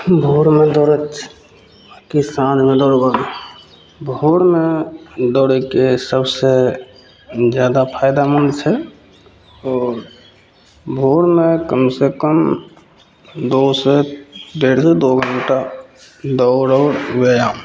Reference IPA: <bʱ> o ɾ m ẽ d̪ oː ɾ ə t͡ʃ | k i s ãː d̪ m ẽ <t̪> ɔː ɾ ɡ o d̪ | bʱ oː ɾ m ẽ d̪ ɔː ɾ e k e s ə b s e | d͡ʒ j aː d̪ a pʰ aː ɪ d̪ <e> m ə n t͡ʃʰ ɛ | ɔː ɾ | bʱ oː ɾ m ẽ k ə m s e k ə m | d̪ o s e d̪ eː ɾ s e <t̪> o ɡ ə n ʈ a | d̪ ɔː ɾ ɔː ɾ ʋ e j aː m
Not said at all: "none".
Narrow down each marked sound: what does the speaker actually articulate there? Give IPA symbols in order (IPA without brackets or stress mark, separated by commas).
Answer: bʱ, d̪, a, d̪